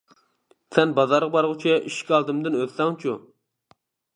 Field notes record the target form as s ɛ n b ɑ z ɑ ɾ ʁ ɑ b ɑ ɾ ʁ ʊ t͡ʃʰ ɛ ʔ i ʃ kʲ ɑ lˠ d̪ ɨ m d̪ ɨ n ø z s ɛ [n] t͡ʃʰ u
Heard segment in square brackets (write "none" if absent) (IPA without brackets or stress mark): ŋ